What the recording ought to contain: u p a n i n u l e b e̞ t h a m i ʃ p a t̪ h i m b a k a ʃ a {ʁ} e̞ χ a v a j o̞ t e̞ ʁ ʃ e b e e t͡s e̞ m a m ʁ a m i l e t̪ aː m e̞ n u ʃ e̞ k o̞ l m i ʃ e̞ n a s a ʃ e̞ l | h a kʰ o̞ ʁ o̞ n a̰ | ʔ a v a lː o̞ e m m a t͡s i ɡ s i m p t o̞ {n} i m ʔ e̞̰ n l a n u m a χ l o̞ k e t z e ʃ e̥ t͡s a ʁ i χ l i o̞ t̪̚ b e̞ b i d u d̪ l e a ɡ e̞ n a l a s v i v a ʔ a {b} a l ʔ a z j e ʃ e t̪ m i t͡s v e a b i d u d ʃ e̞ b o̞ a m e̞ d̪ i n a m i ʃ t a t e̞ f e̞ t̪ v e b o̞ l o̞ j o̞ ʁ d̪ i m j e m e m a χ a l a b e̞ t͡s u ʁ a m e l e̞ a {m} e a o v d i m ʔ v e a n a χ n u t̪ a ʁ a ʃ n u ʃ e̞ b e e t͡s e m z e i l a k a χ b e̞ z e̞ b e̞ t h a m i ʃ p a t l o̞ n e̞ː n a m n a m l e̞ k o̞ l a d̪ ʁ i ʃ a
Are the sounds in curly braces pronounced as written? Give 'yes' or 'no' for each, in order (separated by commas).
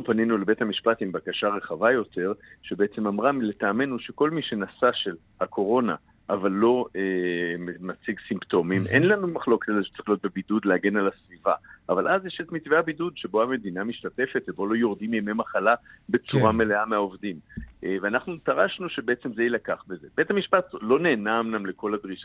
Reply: yes, no, no, yes